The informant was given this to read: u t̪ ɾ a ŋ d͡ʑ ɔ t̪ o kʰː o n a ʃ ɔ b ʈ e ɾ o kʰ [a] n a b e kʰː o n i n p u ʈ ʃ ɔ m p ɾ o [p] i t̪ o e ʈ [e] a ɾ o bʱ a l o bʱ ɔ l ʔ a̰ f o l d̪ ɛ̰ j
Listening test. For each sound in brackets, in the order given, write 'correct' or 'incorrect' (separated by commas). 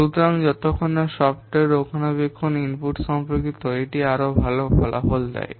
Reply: correct, incorrect, incorrect